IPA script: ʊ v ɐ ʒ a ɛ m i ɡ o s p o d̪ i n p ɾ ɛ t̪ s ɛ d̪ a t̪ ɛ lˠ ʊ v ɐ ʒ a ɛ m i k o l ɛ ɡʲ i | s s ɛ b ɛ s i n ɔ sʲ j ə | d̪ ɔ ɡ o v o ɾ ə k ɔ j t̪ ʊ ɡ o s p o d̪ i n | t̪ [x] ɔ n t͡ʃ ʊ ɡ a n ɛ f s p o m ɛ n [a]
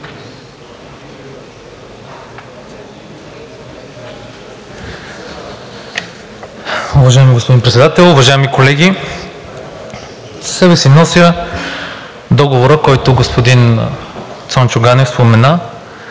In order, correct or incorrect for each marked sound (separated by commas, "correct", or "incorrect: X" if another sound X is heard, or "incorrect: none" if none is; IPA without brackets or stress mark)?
incorrect: s, correct